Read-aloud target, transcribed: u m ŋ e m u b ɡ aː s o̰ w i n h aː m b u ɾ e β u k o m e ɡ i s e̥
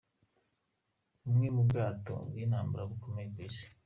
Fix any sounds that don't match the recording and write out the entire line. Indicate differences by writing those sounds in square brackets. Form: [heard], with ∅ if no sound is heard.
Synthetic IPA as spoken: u m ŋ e m u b ɡ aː [t] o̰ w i n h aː m b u ɾ [a] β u k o m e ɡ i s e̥